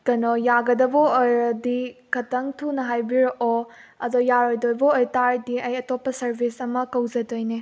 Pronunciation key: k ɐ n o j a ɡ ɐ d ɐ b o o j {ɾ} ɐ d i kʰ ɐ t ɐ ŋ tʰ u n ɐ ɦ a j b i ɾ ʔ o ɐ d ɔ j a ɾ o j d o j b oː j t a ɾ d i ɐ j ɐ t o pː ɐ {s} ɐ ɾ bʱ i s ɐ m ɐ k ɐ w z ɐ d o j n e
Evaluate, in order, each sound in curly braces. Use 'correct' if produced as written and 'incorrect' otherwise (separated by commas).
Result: correct, correct